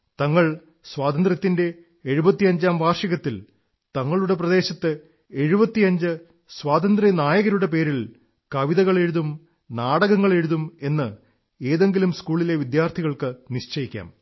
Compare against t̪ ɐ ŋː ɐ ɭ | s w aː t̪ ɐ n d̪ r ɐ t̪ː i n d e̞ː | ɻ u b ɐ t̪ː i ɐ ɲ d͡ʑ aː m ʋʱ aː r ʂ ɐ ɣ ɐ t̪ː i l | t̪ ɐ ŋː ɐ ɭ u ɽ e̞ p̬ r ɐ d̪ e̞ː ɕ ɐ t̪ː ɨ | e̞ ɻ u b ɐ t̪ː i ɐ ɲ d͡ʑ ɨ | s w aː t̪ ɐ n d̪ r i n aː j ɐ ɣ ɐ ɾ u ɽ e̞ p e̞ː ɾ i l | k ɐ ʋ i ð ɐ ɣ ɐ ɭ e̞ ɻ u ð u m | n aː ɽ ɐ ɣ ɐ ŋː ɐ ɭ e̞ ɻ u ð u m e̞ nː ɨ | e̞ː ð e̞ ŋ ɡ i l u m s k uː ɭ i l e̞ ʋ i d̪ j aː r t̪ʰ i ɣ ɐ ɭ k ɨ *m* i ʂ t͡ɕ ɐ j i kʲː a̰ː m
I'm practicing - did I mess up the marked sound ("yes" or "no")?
yes